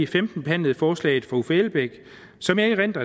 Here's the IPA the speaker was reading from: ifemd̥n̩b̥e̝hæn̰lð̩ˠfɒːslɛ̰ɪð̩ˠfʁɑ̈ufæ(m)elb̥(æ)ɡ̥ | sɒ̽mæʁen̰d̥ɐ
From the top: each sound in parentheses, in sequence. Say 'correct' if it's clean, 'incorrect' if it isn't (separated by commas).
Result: incorrect, incorrect